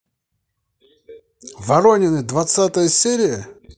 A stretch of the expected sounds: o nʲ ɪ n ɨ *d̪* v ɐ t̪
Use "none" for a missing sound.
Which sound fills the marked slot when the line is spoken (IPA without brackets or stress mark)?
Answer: d̪